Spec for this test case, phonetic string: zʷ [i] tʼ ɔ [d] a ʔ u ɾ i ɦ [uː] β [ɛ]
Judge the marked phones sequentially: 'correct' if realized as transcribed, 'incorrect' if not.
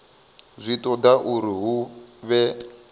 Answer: correct, correct, incorrect, correct

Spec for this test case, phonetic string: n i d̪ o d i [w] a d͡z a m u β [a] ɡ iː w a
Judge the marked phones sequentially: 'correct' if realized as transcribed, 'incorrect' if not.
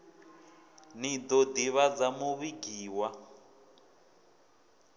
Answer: incorrect, incorrect

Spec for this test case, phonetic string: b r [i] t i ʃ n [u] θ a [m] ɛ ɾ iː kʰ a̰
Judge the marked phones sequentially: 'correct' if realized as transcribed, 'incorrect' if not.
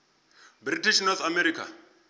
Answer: correct, incorrect, correct

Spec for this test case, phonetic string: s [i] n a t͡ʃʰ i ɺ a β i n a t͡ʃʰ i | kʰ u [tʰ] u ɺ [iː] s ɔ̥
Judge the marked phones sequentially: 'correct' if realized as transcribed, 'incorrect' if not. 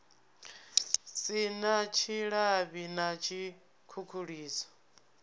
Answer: correct, incorrect, correct

